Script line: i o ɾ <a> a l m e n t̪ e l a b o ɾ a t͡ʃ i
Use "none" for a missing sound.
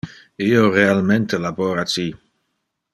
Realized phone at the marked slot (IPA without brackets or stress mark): e